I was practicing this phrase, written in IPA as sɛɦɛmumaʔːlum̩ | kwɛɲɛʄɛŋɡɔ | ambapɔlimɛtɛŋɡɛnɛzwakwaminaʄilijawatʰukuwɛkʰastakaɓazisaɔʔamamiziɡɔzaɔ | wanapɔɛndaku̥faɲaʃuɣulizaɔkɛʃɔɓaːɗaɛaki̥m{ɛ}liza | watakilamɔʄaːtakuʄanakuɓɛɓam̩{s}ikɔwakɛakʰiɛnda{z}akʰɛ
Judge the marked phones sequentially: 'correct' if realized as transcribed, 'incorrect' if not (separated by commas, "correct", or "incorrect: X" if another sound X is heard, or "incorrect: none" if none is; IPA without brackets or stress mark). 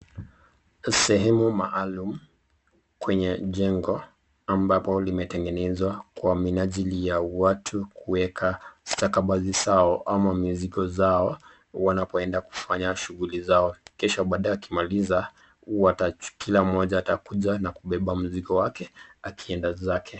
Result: incorrect: a, incorrect: z, correct